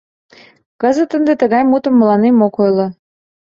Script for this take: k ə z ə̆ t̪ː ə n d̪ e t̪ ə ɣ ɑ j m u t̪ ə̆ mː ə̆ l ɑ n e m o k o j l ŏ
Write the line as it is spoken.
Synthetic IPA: k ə z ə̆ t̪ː ə n d̪ e t̪ ə ɣ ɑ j m u t̪ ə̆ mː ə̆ l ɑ n e m o k o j l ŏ